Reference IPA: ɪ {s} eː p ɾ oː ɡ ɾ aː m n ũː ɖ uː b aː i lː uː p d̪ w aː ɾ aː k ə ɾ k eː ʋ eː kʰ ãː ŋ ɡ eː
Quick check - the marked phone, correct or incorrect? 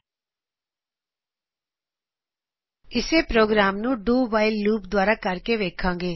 correct